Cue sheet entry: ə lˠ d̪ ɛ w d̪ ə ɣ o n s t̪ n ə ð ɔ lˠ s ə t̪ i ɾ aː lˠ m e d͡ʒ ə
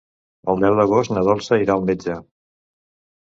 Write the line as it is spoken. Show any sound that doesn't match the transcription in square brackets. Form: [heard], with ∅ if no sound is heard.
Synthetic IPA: ə lˠ d̪ ɛ w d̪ ə ɣ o [∅] s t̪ n ə ð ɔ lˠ s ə [∅] i ɾ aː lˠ m e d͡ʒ ə